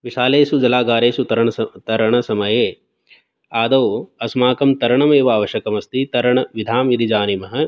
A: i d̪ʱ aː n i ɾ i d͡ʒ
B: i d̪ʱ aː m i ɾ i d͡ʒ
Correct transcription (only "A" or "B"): B